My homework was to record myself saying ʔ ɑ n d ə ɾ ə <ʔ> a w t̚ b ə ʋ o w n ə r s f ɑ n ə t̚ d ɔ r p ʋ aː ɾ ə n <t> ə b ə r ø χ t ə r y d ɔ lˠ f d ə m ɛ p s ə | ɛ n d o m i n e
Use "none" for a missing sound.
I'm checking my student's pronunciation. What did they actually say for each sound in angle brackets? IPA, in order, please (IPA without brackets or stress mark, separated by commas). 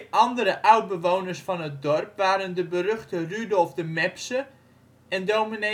ʔ, d